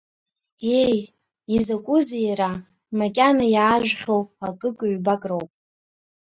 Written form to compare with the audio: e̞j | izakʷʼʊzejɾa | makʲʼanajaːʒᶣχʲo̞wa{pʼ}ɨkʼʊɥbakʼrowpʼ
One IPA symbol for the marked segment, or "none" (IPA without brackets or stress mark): kʼ